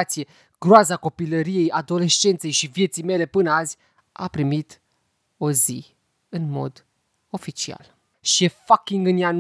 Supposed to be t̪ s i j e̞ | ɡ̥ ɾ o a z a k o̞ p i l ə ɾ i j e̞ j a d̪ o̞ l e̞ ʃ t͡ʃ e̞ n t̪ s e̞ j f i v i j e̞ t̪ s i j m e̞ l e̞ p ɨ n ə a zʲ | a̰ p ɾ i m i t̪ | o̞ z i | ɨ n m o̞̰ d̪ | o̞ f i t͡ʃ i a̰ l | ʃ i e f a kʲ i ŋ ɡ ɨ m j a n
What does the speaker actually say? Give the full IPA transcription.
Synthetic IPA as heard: t̪ s i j e̞ | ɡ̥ ɾ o a z a k o̞ p i l ə ɾ i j e̞ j a d̪ o̞ l e̞ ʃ t͡ʃ e̞ n t̪ s e̞ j ʃ i v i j e̞ t̪ s i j m e̞ l e̞ p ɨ n ə a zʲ | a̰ p ɾ i m i t̪ | o̞ z i | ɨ n m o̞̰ d̪ | o̞ f i t͡ʃ i a̰ l | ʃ i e f a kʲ i ŋ ɡ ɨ n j a n